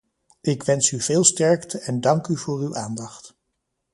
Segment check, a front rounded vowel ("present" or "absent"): present